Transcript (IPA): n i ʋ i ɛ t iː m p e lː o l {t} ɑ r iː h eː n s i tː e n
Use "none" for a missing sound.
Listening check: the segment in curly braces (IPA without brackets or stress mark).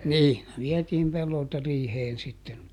t